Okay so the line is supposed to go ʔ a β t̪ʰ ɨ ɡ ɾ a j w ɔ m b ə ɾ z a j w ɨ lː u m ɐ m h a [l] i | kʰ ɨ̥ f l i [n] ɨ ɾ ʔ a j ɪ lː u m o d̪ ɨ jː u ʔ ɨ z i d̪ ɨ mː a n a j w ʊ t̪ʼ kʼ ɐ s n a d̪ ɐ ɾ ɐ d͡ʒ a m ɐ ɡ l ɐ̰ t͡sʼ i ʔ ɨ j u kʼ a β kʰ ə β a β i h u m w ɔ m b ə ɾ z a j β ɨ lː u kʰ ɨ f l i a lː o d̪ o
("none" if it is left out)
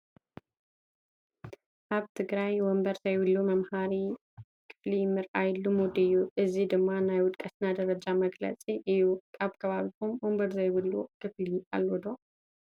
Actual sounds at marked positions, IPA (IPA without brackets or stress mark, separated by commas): ɾ, m